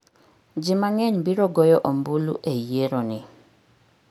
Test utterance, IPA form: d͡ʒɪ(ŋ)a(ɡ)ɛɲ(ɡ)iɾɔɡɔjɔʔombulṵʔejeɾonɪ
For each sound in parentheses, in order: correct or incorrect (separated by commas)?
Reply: incorrect, incorrect, incorrect